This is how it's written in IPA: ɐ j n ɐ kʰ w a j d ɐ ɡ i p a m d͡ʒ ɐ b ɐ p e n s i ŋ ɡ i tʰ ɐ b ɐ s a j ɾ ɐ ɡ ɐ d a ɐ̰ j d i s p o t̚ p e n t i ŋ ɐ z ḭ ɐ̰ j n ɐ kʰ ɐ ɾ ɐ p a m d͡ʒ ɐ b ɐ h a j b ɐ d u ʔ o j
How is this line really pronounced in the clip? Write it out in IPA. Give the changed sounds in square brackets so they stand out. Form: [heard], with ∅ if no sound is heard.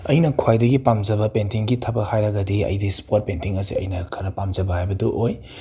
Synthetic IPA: ɐ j n ɐ kʰ w a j d ɐ ɡ i p a m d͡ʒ ɐ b ɐ p e n [t] i ŋ ɡ i tʰ ɐ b ɐ [h] a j ɾ ɐ ɡ ɐ d [i] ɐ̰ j d i s p o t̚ p e n t i ŋ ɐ z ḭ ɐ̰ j n ɐ kʰ ɐ ɾ ɐ p a m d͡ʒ ɐ b ɐ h a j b ɐ d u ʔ o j